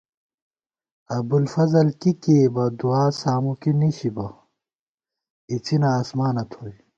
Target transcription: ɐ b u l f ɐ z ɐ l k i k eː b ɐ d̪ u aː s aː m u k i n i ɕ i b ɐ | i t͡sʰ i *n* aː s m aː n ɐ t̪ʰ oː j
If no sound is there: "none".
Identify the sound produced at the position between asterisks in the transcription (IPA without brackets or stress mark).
n